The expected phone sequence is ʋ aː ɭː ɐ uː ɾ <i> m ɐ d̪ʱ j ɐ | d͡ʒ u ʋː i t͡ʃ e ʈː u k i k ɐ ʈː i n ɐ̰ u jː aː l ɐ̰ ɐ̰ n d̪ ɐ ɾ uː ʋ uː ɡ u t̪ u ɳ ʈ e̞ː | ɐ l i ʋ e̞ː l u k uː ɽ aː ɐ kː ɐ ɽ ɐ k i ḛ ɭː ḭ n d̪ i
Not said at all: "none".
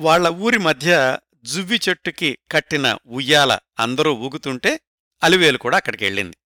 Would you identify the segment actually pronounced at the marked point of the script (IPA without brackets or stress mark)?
i